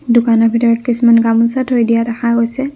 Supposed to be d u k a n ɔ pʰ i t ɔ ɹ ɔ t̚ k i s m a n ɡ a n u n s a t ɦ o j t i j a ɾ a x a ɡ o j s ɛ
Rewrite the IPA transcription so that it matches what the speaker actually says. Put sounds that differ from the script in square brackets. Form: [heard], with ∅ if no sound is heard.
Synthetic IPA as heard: d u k a n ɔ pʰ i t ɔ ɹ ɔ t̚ k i s m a n ɡ a [m] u n s a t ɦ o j [d] i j a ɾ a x a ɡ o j s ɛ